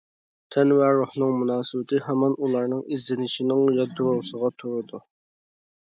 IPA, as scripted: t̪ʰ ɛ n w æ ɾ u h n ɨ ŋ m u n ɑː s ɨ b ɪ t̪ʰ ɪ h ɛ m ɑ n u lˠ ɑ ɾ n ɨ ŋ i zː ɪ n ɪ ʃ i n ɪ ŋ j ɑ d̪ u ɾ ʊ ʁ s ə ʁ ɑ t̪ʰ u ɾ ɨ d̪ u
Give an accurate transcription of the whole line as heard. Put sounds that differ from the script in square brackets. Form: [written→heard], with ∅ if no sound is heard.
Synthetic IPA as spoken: t̪ʰ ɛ n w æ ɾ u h n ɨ ŋ m u n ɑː s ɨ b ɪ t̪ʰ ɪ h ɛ m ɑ n u lˠ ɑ ɾ n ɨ ŋ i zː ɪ n ɪ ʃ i n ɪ ŋ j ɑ d̪ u ɾ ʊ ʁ s ə ʁ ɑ t̪ʰ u ɾ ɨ d̪ u